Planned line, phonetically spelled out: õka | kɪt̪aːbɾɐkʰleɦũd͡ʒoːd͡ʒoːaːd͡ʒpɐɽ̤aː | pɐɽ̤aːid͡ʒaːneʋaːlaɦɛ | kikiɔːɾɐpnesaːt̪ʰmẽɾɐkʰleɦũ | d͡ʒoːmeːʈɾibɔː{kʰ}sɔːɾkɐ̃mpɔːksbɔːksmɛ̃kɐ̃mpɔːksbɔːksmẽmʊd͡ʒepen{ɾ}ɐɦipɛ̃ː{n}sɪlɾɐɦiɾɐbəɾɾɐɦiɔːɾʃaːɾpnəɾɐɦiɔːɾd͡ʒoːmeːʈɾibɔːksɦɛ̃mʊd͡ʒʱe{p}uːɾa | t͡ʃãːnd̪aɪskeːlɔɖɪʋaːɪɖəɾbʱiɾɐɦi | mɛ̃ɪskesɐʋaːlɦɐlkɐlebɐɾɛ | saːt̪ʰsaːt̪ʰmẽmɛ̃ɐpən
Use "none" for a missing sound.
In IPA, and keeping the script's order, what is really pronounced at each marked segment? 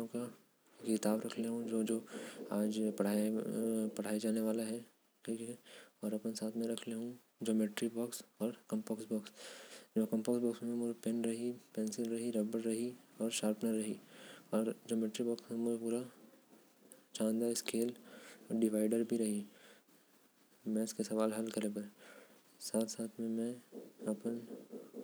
k, ɾ, n, p

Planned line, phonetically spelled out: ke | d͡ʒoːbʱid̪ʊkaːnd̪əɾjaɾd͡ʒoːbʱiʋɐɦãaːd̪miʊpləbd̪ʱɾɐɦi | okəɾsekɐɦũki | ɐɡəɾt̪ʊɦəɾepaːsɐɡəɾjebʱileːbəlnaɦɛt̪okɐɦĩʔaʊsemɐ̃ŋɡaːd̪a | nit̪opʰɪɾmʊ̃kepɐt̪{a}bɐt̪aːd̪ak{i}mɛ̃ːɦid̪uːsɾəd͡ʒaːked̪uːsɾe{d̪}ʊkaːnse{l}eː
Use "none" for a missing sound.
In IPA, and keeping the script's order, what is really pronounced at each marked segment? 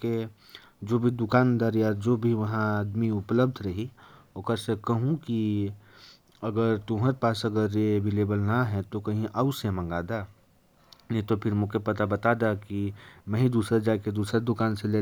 a, i, d̪, l

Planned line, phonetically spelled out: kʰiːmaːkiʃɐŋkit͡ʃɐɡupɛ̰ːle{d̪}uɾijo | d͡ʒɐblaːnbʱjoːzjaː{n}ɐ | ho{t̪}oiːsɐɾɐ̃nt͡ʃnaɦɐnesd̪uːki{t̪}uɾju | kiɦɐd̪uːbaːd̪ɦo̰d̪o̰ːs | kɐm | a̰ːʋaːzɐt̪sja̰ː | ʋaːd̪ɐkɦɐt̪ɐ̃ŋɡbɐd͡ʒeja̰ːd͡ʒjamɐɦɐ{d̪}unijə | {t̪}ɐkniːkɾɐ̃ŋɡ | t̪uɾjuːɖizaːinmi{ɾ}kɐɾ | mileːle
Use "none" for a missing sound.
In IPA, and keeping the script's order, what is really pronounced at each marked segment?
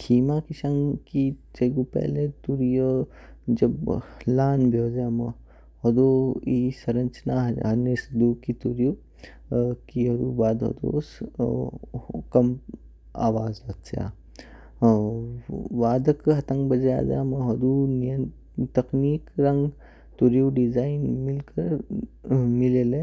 t̪, m, d̪, t̪, d̪, t̪, l

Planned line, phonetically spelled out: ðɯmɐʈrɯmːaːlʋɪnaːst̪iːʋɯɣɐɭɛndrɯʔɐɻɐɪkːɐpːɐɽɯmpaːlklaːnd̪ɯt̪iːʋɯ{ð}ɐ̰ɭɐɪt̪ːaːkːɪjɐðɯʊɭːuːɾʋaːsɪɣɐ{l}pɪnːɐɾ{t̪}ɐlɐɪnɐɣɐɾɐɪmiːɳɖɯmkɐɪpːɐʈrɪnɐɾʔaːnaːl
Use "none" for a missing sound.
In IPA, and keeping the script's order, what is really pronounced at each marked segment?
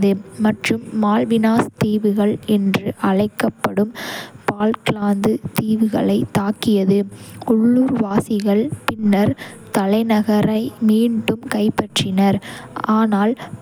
ɣ, ɭ, t̪

